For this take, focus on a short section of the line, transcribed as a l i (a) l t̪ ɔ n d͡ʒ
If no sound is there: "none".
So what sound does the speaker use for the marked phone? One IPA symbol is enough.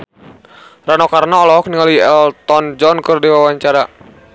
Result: ɛ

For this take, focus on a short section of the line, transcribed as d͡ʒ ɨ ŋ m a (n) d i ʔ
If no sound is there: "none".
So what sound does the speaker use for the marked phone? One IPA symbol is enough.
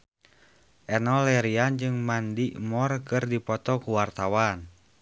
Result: n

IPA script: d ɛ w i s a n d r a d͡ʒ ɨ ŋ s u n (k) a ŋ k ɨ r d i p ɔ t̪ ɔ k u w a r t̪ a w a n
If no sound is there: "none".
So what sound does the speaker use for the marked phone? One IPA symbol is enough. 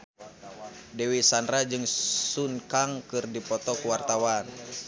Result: k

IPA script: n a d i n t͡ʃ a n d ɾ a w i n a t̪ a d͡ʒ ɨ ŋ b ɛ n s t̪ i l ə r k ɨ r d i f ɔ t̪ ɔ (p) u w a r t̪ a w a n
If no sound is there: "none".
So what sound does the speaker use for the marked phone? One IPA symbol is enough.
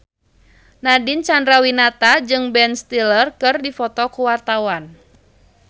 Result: k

